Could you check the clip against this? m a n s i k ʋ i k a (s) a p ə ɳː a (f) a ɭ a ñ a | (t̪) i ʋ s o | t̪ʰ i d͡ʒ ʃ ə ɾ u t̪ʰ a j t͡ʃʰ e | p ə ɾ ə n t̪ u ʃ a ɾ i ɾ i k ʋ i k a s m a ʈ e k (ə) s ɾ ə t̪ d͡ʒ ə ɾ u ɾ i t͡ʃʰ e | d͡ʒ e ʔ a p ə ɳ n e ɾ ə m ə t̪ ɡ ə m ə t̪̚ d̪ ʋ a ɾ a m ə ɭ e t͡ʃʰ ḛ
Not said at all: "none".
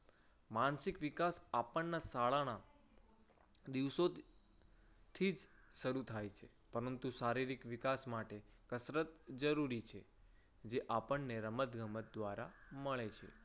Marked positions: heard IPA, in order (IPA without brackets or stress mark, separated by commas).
s, s, d̪, ə